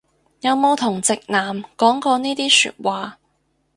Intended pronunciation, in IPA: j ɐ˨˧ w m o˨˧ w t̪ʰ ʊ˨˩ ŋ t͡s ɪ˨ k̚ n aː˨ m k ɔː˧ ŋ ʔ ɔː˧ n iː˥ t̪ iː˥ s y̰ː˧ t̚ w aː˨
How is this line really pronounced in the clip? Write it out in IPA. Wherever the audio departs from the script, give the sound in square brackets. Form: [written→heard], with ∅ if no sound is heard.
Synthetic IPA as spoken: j ɐ˨˧ w m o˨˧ w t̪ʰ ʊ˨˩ ŋ t͡s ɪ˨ k̚ n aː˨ m k [ɔː˧→ɔː˨˥] ŋ [ʔ→k] ɔː˧ n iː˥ t̪ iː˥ s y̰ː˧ t̚ w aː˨